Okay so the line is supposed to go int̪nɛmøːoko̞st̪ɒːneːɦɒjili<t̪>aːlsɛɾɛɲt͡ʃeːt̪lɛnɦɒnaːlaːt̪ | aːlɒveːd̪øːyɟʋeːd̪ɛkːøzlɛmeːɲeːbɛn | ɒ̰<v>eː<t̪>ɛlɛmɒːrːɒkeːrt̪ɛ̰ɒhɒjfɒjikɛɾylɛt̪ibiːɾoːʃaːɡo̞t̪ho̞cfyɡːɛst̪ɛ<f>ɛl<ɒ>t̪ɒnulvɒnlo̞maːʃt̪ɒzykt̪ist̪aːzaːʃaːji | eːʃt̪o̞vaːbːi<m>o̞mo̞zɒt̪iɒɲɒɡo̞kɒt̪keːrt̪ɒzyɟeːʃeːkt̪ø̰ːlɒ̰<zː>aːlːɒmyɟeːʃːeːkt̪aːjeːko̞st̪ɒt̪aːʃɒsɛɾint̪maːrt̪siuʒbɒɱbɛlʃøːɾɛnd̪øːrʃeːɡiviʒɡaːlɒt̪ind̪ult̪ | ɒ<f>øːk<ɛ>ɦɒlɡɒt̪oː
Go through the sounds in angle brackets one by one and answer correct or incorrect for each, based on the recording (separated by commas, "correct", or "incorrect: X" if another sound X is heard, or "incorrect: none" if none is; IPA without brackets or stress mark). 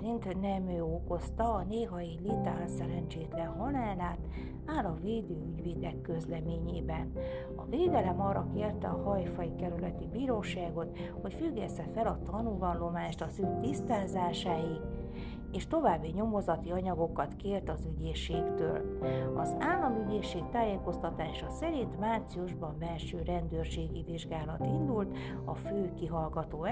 correct, correct, incorrect: d̪, correct, correct, incorrect: ɲ, incorrect: z, correct, incorrect: i